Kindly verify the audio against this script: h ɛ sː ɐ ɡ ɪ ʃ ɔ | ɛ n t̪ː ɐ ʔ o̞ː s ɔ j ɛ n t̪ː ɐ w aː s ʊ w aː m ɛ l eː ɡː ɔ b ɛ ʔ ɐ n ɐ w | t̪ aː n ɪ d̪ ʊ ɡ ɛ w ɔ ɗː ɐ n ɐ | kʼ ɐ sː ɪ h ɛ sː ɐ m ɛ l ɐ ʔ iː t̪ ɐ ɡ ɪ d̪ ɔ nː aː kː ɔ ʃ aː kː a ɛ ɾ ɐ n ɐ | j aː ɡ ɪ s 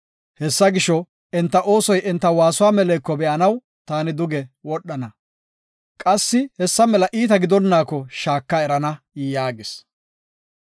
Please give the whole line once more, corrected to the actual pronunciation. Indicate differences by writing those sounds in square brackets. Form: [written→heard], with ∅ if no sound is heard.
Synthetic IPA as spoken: h ɛ sː ɐ ɡ ɪ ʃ ɔ | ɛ n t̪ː ɐ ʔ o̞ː s ɔ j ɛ n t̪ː ɐ w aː s ʊ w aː m ɛ l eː [ɡː→kː] ɔ b ɛ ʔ ɐ n ɐ w | t̪ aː n ɪ d̪ ʊ ɡ ɛ w ɔ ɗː ɐ n ɐ | kʼ ɐ sː ɪ h ɛ sː ɐ m ɛ l ɐ ʔ iː t̪ ɐ ɡ ɪ d̪ ɔ nː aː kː ɔ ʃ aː kː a ɛ ɾ ɐ n ɐ | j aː ɡ ɪ s